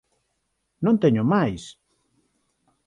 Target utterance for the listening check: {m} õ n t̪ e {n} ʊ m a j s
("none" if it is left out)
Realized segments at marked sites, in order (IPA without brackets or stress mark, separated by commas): n, ɲ